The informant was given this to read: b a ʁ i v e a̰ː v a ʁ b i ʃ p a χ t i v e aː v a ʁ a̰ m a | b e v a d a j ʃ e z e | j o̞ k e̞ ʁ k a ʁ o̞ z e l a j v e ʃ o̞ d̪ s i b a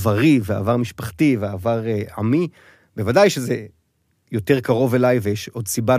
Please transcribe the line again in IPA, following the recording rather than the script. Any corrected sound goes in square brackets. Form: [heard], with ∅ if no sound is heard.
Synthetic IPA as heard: [v] a ʁ i v e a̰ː v a ʁ [m] i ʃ p a χ t i v e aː v a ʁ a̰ m [i] | b e v a d a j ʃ e z e | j o̞ [t] e̞ ʁ k a ʁ o̞ [v] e l a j v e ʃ o̞ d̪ s i b a